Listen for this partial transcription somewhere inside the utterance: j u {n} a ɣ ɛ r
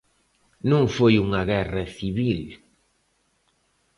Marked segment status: incorrect: ŋ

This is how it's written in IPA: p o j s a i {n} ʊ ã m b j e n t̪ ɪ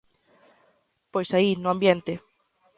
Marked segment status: correct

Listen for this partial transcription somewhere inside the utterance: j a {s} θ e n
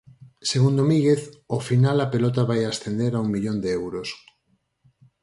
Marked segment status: correct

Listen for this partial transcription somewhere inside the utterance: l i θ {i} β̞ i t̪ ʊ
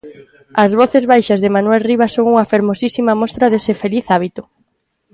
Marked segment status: incorrect: a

